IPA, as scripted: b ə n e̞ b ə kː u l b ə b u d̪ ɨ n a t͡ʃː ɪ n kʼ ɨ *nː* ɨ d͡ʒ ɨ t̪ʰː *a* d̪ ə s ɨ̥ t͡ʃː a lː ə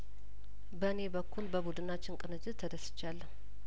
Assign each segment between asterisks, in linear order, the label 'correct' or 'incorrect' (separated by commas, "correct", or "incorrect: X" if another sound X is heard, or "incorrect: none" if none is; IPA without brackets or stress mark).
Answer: incorrect: n, incorrect: ə